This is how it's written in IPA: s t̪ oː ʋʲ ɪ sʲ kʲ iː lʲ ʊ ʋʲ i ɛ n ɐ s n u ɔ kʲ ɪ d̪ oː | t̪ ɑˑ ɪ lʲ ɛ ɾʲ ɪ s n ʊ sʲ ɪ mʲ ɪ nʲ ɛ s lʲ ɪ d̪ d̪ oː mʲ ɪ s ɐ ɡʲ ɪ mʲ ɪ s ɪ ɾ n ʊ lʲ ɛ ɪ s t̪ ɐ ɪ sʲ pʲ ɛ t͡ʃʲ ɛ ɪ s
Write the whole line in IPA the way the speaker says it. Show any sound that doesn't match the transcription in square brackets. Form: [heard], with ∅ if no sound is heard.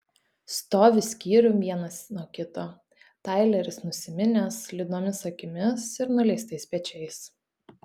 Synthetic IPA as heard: s t̪ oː ʋʲ ɪ sʲ kʲ iː [ɾʲ] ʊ ʋʲ i ɛ n ɐ s n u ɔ kʲ ɪ [t̪] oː | t̪ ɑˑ ɪ lʲ ɛ ɾʲ ɪ s n ʊ sʲ ɪ mʲ ɪ nʲ ɛ s lʲ ɪ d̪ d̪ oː mʲ ɪ s ɐ [kʲ] ɪ mʲ ɪ s ɪ ɾ n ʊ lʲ ɛ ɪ s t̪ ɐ ɪ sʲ pʲ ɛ t͡ʃʲ ɛ ɪ s